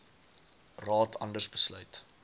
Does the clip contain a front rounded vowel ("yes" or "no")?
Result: yes